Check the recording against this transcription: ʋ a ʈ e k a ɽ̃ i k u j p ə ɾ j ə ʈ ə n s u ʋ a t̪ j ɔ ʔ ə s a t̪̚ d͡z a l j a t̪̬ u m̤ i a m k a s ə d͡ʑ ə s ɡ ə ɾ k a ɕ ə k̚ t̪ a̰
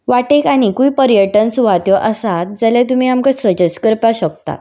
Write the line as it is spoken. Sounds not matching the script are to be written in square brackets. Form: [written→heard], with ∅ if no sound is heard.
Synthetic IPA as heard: ʋ a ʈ e k a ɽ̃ i k u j p ə ɾ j ə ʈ ə n s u ʋ a t̪ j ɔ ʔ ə s a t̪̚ d͡z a l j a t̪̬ u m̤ i a m k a s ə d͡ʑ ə s [ɡ→k] ə ɾ [k→p] a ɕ ə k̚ t̪ a̰